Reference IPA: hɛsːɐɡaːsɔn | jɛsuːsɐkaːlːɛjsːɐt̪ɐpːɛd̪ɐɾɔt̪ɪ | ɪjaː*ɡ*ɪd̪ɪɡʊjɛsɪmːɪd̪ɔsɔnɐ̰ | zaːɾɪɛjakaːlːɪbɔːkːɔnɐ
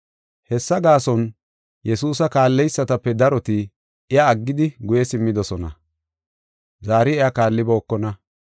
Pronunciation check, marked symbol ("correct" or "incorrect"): incorrect